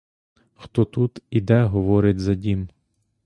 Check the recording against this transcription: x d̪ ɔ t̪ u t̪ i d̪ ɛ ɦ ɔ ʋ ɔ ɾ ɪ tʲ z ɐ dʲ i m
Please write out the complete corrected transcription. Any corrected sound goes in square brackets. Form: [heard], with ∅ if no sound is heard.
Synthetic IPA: x [t̪] ɔ t̪ u t̪ i d̪ ɛ ɦ ɔ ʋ ɔ ɾ ɪ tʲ z ɐ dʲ i m